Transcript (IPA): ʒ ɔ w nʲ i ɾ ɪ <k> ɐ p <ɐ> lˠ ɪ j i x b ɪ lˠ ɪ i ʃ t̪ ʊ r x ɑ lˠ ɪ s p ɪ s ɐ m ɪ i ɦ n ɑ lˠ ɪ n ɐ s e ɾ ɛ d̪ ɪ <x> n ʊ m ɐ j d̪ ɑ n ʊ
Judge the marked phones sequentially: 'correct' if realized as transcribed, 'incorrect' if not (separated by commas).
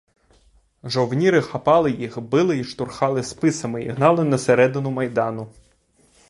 incorrect, incorrect, incorrect